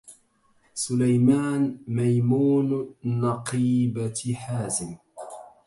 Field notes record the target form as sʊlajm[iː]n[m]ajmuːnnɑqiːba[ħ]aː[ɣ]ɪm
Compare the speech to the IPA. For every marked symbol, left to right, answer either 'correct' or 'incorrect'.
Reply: incorrect: aː, correct, correct, incorrect: z

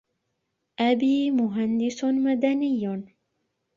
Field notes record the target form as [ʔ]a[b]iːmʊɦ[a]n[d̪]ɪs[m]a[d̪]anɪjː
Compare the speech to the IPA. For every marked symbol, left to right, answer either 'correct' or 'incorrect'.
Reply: correct, correct, correct, correct, correct, correct

